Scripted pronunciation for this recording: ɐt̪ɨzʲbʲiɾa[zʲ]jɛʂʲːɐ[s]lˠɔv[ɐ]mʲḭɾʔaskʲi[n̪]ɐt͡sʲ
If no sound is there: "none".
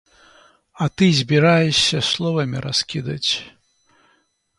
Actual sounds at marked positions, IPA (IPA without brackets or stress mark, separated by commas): none, s, ɐ, d̪